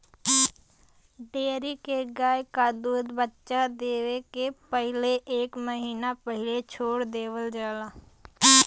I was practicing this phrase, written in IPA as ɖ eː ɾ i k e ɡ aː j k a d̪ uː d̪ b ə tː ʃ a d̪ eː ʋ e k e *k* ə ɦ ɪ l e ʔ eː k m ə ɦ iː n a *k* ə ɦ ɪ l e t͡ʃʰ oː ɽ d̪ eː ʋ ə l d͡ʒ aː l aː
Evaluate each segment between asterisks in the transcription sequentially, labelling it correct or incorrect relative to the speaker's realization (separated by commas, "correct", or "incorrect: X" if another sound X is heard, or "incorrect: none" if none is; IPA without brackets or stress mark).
incorrect: p, incorrect: p